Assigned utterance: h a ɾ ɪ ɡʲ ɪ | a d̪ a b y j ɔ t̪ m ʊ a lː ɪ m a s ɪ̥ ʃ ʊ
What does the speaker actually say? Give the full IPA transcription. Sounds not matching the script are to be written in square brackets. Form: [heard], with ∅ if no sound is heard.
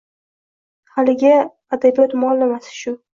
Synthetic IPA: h a [l] ɪ ɡʲ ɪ | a d̪ a b [i] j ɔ t̪ m ʊ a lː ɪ m a s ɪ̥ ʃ ʊ